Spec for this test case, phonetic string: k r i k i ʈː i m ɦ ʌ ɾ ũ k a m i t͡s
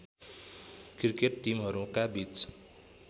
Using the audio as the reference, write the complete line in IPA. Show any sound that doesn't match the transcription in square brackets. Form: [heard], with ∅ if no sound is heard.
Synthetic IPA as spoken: k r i k [e] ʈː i m ɦ ʌ ɾ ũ k a [b] i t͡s

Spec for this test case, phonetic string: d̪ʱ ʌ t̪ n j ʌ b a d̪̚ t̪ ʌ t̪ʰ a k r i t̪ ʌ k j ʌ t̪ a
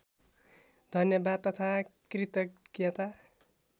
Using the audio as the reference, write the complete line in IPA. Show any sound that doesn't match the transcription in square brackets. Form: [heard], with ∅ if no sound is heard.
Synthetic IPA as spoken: d̪ʱ ʌ [∅] n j ʌ b a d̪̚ t̪ ʌ t̪ʰ a k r i t̪ ʌ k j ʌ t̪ a

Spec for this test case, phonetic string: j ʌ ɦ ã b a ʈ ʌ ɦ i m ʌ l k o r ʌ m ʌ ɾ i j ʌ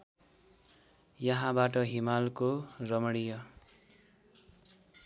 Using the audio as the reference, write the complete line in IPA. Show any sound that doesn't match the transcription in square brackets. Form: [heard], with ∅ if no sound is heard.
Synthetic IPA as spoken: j ʌ ɦ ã b a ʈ ʌ ɦ i m [a] l k o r ʌ m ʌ [ɽ] i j ʌ

